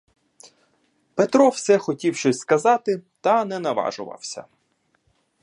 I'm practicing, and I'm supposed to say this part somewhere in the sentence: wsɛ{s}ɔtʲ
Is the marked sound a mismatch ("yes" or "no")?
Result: yes